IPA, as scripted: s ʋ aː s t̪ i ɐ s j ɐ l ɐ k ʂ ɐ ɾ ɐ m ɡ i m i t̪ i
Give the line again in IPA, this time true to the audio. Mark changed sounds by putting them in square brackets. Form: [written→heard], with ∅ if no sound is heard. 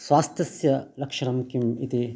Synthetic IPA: s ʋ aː s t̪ [i→j] ɐ s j ɐ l ɐ k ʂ ɐ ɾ ɐ m [ɡ→k] i m i t̪ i